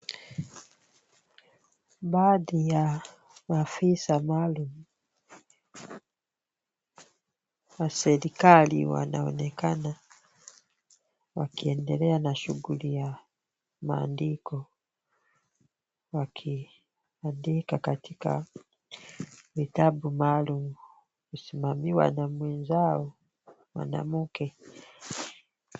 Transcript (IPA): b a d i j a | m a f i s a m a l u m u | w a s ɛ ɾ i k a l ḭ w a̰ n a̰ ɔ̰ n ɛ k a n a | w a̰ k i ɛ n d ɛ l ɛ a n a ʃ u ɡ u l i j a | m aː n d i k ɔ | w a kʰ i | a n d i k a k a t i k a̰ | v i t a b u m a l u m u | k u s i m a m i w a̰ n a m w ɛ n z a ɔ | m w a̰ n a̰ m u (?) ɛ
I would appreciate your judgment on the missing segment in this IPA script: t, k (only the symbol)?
k